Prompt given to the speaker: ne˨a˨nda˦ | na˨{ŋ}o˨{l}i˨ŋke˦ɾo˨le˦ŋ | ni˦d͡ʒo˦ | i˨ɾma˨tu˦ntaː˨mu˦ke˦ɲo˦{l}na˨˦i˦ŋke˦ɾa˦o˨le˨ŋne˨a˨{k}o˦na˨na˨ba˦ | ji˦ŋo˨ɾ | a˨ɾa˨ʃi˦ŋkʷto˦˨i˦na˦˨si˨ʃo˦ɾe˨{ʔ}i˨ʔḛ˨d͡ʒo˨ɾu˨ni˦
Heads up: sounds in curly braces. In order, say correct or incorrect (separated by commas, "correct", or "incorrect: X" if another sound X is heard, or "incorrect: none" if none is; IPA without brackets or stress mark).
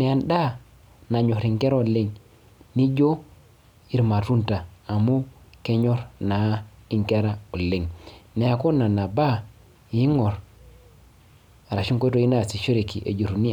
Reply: incorrect: ɲ, incorrect: ɾ, incorrect: ɾ, correct, incorrect: k